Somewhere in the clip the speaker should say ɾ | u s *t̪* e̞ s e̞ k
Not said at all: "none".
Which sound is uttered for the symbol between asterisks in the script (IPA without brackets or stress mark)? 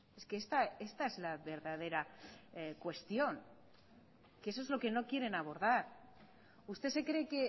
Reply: t̪